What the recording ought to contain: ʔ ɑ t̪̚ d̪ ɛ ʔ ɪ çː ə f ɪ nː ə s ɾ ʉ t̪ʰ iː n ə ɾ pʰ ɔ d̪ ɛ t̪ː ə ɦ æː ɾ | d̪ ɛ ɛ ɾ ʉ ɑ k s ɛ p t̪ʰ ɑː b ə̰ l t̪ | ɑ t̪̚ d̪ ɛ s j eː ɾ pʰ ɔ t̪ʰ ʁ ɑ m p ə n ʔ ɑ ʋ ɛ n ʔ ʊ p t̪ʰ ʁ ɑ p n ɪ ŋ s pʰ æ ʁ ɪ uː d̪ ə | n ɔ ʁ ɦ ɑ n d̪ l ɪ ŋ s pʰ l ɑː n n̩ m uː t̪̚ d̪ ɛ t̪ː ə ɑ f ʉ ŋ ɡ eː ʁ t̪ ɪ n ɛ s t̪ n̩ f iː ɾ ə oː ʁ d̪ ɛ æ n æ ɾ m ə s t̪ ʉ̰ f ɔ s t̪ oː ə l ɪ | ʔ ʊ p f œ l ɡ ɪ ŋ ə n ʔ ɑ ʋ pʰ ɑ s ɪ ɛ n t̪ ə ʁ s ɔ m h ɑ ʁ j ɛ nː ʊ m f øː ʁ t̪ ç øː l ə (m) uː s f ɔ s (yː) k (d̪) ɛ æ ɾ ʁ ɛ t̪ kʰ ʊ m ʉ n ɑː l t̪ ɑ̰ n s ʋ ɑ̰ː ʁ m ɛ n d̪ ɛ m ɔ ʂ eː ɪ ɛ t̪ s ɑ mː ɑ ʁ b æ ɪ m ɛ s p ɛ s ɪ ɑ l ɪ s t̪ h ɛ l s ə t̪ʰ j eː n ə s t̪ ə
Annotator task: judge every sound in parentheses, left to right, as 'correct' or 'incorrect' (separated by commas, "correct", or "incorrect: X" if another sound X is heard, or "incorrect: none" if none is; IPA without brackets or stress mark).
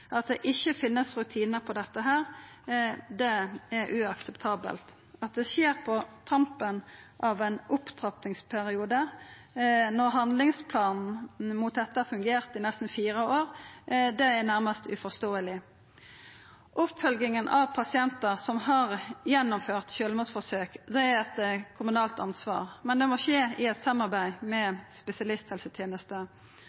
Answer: correct, incorrect: øː, correct